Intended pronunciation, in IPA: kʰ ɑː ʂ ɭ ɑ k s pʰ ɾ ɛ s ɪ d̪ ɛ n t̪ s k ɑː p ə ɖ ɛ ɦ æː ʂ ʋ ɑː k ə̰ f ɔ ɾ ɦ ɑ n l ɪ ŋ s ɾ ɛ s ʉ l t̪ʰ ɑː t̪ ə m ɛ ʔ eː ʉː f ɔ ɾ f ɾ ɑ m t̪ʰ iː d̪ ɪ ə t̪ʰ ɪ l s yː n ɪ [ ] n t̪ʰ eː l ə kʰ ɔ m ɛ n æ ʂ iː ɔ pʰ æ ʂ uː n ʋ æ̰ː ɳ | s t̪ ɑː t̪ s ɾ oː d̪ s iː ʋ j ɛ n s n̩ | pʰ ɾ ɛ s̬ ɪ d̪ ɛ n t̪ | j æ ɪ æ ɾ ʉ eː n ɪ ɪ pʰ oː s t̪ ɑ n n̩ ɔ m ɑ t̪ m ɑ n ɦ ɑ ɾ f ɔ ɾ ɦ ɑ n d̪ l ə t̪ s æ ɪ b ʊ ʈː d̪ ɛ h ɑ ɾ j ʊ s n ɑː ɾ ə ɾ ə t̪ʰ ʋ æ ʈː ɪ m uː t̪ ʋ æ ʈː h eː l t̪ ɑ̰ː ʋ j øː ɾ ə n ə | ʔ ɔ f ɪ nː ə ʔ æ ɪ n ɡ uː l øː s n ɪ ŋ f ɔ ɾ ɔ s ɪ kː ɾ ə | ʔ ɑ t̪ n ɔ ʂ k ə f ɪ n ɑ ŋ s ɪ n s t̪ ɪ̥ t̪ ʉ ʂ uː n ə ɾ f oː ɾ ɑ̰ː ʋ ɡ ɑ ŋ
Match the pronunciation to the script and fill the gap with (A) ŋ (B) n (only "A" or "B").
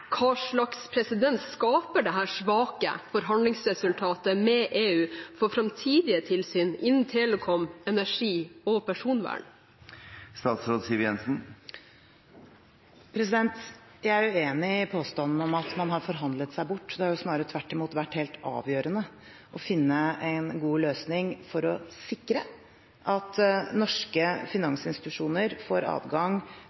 B